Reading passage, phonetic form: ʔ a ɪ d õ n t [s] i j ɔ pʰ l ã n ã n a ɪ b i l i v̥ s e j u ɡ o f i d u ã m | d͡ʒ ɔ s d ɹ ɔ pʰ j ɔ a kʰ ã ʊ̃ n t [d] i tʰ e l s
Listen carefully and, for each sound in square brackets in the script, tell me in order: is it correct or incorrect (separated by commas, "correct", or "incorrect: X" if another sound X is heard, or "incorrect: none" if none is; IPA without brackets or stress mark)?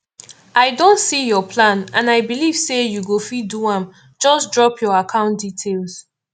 correct, correct